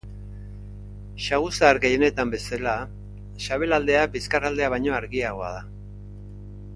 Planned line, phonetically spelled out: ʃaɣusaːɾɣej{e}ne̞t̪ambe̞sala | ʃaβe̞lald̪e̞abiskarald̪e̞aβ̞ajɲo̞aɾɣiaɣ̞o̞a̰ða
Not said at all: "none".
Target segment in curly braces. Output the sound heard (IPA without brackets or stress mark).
e